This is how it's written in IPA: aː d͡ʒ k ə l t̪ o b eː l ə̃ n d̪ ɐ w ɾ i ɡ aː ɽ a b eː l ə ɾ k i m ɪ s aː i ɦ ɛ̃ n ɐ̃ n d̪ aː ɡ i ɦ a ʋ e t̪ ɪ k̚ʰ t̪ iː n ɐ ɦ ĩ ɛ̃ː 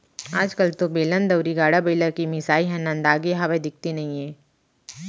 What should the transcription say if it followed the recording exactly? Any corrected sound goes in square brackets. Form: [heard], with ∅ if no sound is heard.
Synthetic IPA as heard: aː d͡ʒ k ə l t̪ o b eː l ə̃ n d̪ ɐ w ɾ i ɡ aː ɽ a b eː l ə ɾ k i m ɪ s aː i ɦ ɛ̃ n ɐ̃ n d̪ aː ɡ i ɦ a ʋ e [d̪] ɪ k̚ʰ t̪ [i] n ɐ ɦ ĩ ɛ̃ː

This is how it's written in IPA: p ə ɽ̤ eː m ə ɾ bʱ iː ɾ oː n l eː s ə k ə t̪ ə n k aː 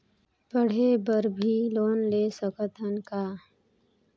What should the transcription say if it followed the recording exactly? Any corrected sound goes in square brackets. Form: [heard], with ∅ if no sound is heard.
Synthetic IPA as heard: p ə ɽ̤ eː [b] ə ɾ bʱ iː [l] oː n l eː s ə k ə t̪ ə n k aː

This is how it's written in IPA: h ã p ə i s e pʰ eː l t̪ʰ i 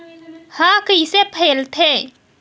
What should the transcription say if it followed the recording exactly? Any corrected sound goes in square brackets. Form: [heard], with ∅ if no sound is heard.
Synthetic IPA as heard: h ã [k] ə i s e pʰ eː l t̪ʰ [e]

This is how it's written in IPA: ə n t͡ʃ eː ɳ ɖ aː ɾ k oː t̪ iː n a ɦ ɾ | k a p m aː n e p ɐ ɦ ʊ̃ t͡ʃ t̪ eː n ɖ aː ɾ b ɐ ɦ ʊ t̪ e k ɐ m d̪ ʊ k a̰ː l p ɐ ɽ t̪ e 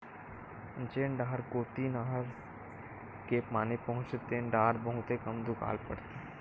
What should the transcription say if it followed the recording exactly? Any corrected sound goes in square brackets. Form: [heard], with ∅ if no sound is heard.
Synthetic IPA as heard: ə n t͡ʃ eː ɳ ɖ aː ɾ k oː t̪ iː n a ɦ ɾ | k [e] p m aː n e p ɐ ɦ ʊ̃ t͡ʃ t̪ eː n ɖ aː ɾ b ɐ ɦ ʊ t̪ e k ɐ m d̪ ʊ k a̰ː l p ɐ ɽ t̪ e

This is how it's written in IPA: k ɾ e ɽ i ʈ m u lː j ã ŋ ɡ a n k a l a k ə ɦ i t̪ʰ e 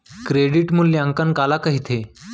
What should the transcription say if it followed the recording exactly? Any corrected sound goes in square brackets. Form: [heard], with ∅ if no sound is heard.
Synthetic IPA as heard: k ɾ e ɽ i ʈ m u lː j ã ŋ [k] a n k a l a k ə ɦ i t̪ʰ e

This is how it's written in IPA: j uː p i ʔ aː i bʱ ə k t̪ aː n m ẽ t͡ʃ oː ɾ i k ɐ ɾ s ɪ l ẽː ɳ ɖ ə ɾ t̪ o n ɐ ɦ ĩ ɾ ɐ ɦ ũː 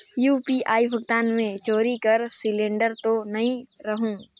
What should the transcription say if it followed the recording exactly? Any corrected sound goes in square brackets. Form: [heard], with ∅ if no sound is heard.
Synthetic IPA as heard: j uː p i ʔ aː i bʱ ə [ɡ] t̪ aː n m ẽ t͡ʃ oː ɾ i k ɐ ɾ s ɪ l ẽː ɳ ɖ ə ɾ t̪ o n ɐ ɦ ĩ ɾ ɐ ɦ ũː

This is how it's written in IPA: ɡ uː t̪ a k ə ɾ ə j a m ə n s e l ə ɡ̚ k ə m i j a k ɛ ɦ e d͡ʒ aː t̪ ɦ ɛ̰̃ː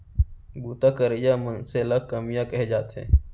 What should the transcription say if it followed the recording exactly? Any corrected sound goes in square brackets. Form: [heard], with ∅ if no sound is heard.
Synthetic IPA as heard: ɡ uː t̪ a k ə ɾ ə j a m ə n s e l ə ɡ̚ k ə m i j a k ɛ ɦ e d͡ʒ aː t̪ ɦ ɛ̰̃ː

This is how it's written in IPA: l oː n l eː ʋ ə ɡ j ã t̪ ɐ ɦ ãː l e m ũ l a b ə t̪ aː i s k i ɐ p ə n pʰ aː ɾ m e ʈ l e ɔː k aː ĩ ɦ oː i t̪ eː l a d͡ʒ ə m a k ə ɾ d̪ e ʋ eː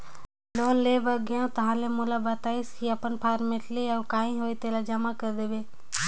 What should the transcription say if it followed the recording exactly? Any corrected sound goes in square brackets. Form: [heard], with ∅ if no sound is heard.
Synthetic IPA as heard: l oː n l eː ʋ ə ɡ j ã t̪ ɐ ɦ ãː l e m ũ l a b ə t̪ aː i s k i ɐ p ə n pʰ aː ɾ m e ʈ l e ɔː k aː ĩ ɦ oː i t̪ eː l a d͡ʒ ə m a k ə ɾ d̪ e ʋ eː

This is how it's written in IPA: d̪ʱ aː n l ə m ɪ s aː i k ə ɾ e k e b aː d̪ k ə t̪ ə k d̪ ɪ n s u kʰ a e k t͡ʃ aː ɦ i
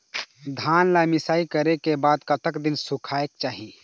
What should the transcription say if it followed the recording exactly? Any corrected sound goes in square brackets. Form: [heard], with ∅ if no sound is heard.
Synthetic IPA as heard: d̪ʱ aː n l [a] m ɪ s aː i k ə ɾ e k e b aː d̪ k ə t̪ ə k d̪ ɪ n s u kʰ a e k t͡ʃ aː ɦ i

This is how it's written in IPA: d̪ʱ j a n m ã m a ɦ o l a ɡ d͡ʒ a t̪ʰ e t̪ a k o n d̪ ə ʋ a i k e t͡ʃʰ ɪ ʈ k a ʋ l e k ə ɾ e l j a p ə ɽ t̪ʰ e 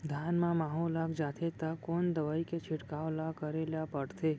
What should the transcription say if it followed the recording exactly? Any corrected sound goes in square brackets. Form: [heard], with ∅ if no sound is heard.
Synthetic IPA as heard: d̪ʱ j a n m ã m a ɦ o l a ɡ d͡ʒ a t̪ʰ e t̪ a k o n d̪ ə ʋ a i k e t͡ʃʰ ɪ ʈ k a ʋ l [a] k ə ɾ e l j a p ə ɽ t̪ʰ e

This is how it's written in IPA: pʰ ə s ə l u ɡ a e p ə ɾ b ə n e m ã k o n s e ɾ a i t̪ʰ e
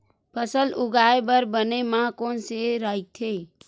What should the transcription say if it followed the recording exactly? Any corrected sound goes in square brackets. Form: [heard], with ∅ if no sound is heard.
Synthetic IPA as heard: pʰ ə s ə l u ɡ a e [b] ə ɾ b ə n e m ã k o n s e ɾ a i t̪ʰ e

